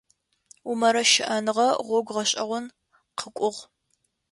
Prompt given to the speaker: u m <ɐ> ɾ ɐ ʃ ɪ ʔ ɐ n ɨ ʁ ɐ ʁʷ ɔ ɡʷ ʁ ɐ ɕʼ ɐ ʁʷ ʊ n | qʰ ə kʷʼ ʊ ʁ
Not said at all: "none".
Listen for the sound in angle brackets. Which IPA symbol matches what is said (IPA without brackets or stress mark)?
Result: ɐ